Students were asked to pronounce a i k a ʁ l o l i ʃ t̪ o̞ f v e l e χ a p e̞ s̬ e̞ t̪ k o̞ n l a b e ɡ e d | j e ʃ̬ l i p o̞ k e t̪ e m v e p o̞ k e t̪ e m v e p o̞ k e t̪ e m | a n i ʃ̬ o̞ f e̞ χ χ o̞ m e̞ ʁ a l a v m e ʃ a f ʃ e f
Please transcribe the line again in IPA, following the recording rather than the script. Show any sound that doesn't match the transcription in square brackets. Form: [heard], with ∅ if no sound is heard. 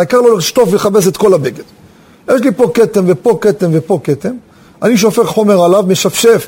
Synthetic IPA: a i k a ʁ l o l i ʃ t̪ o̞ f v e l e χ a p e̞ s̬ e̞ t̪ k o̞ [∅] l a b e ɡ e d | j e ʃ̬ l i p o̞ k e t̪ e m v e p o̞ k e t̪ e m v e p o̞ k e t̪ e m | a n i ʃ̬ o̞ f e̞ χ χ o̞ m e̞ ʁ a l a v m e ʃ a f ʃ e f